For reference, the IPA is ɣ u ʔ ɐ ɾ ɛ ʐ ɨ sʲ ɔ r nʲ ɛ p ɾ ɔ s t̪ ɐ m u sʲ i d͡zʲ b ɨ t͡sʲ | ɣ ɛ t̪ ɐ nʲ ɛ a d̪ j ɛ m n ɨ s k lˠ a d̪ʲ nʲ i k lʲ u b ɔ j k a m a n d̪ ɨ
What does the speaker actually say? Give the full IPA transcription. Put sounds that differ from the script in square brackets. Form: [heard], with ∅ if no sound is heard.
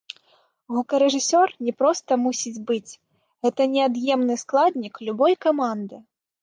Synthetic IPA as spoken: ɣ u [k] ɐ ɾ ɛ ʐ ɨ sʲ ɔ r nʲ ɛ p ɾ ɔ s t̪ ɐ m u sʲ i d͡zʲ b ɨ t͡sʲ | ɣ ɛ t̪ ɐ nʲ ɛ a d̪ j ɛ m n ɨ s k lˠ a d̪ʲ nʲ i k lʲ u b ɔ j k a m a n d̪ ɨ